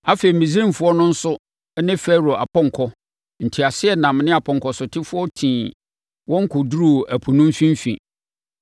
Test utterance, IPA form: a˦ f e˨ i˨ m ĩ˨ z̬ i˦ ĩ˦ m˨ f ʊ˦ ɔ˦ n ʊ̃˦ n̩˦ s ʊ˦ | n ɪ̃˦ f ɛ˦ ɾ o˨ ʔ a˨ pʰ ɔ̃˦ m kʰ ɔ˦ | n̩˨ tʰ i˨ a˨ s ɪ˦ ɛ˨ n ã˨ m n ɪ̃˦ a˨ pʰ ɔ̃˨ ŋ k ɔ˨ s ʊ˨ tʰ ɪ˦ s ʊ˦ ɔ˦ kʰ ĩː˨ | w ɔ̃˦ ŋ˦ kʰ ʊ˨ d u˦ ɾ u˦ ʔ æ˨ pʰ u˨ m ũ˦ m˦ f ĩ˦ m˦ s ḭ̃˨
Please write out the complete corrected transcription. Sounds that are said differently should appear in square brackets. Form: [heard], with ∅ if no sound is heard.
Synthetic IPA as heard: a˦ f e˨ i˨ m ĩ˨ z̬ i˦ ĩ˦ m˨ f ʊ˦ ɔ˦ n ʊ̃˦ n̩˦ s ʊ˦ | n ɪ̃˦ f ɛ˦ ɾ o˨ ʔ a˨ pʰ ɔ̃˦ [ŋ] kʰ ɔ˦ | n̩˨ tʰ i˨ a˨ s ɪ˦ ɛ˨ n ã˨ m n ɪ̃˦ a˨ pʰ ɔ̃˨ ŋ k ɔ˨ s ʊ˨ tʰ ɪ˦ [f] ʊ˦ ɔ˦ [tʰ] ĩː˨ | w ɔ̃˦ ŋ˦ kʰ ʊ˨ d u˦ ɾ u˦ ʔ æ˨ pʰ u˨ [n] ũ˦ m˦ f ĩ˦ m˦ [f] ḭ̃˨